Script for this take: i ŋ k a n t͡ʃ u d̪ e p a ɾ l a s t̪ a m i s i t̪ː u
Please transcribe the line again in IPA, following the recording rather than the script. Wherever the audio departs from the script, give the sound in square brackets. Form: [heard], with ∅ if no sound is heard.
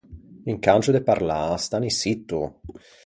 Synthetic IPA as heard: i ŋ k a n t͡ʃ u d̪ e p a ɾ l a s t̪ a [n] i s i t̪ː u